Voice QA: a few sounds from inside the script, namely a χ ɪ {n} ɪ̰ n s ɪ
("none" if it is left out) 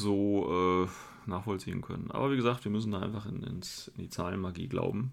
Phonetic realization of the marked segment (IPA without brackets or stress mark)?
n